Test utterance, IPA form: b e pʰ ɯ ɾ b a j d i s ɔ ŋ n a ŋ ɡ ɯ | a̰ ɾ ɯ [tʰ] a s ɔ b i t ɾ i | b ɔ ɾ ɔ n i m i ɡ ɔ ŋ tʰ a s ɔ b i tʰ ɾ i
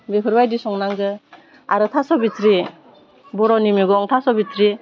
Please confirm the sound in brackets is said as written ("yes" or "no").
yes